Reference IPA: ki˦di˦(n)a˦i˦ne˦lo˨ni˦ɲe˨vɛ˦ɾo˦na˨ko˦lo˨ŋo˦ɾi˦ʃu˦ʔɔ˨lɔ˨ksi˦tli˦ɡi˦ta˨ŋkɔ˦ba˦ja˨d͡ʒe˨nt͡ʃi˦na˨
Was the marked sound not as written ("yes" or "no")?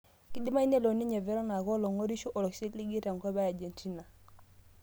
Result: yes